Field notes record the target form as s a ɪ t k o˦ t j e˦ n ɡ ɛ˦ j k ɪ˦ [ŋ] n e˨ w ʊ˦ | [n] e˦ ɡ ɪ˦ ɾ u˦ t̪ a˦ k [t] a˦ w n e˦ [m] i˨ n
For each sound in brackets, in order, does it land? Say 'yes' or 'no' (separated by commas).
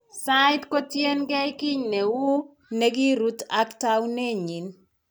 no, yes, yes, no